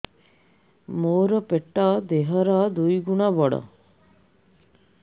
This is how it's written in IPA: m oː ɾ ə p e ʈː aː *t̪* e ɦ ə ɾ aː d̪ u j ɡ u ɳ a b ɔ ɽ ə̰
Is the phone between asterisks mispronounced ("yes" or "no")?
yes